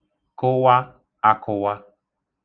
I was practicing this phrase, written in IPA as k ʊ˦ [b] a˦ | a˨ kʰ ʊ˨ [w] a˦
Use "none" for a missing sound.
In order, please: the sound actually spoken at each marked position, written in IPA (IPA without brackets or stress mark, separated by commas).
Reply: w, w